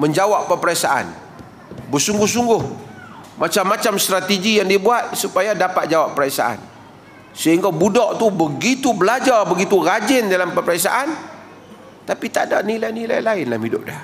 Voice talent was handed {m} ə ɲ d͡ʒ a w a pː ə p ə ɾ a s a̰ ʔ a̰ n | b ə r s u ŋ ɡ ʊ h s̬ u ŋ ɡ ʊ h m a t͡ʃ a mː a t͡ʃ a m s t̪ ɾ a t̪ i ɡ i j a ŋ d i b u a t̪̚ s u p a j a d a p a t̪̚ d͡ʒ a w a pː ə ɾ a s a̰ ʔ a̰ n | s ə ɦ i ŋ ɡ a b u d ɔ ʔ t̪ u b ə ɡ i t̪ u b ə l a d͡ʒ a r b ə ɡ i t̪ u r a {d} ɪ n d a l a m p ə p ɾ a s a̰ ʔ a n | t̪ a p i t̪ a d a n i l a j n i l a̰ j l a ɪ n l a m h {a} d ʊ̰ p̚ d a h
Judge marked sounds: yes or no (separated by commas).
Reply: yes, no, no